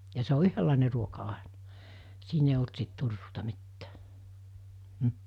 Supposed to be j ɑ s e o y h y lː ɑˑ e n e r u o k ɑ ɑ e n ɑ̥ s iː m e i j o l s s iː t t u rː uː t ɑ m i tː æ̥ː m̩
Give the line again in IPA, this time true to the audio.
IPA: j ɑ s e o y h ø lː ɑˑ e n e r u o k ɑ ɑ e n ɑ̥ s iː n e i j o l t s i t t u rː uː t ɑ m i tː æ̥ː m̩